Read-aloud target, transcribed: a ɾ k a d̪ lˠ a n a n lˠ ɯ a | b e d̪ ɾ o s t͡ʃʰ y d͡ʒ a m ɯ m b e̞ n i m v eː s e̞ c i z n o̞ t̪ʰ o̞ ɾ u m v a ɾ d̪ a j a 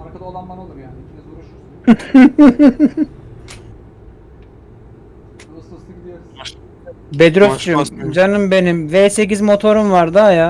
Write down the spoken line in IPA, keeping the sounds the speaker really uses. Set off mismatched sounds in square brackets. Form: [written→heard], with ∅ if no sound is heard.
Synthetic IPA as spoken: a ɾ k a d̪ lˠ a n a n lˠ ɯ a | b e d̪ ɾ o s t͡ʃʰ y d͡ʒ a [m→n] ɯ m b e̞ n i m v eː s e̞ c i z [n→m] o̞ t̪ʰ o̞ ɾ u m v a ɾ d̪ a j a